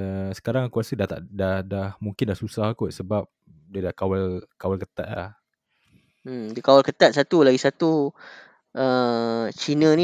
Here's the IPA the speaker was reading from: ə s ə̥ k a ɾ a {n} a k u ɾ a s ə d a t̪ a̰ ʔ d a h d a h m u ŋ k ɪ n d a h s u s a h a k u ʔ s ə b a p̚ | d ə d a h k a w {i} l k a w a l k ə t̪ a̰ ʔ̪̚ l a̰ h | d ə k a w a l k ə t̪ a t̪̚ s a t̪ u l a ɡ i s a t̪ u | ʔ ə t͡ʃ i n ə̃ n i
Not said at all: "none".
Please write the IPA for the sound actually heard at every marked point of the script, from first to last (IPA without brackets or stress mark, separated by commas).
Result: ŋ, a